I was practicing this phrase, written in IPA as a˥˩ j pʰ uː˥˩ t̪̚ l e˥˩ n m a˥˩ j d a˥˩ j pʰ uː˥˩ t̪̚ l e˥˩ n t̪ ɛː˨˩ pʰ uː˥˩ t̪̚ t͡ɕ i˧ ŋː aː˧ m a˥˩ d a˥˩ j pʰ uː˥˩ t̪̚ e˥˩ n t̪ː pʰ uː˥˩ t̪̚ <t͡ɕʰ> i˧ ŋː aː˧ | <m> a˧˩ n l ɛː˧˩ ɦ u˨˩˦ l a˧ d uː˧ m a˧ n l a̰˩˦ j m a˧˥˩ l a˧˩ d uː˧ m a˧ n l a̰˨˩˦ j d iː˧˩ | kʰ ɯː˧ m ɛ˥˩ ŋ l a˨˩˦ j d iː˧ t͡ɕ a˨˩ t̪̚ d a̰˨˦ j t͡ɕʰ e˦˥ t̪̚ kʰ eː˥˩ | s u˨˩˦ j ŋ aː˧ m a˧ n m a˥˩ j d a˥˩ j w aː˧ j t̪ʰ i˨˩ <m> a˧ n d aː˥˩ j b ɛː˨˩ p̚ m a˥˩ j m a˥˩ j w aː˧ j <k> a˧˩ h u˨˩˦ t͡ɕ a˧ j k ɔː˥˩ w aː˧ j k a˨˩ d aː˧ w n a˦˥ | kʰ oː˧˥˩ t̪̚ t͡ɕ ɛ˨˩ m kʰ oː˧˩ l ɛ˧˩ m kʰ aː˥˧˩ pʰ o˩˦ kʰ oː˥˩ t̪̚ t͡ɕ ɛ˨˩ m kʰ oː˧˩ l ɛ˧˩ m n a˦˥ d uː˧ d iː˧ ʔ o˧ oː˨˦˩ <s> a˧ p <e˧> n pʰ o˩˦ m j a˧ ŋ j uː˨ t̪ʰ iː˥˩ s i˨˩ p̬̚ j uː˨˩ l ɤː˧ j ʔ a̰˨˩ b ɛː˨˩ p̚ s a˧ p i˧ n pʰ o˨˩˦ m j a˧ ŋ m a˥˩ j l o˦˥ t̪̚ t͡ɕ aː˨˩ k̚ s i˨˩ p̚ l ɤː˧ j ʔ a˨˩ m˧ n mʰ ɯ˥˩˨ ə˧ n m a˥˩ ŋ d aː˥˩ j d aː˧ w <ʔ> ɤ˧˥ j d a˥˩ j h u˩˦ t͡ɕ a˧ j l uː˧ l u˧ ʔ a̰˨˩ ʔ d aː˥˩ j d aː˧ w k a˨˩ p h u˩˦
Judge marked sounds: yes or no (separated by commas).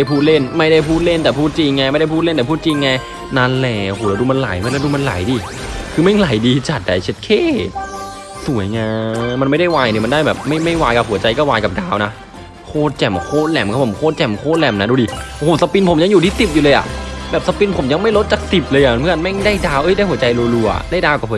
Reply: no, no, yes, yes, yes, no, yes